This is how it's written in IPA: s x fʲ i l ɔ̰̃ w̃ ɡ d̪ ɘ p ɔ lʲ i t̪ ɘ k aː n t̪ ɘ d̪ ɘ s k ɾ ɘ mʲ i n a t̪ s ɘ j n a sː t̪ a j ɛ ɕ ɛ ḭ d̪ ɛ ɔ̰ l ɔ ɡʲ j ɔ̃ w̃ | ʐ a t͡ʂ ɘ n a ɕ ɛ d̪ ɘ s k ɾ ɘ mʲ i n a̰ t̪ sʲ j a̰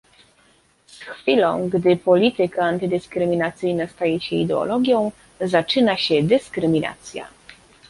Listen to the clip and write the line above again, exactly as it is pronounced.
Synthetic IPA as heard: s x fʲ i l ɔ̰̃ w̃ ɡ d̪ ɘ p ɔ lʲ i t̪ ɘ k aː n t̪ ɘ d̪ ɘ s k ɾ ɘ mʲ i n a t̪ s ɘ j n a s t̪ a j ɛ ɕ ɛ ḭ d̪ ɛ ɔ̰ l ɔ ɡʲ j ɔ̃ w̃ | z a t͡ʂ ɘ n a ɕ ɛ d̪ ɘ s k ɾ ɘ mʲ i n a̰ t̪ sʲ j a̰